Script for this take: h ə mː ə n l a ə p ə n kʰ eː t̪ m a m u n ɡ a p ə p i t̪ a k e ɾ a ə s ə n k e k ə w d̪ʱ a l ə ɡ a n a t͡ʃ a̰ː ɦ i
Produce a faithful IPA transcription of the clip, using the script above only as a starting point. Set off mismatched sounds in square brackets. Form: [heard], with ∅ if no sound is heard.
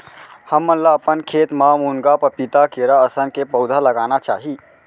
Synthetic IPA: h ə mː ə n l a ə p ə n kʰ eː t̪ m a m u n ɡ a p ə p i t̪ a k e ɾ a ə s ə n k e [p] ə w d̪ʱ a l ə ɡ a n a t͡ʃ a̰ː ɦ i